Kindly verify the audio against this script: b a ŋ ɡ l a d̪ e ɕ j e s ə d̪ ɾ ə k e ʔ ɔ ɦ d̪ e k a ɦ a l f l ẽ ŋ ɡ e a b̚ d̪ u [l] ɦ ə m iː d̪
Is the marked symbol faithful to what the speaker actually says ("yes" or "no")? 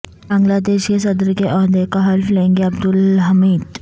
yes